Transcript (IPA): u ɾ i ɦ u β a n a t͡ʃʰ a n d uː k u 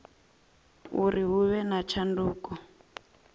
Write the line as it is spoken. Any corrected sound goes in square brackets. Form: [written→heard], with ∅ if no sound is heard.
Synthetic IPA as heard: u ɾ i ɦ u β [a→ɛ] n a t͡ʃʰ a n d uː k [u→ɔ]